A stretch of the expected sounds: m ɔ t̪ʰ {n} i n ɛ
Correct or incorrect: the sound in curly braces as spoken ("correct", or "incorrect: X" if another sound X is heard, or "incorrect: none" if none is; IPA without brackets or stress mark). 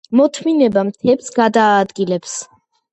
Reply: incorrect: m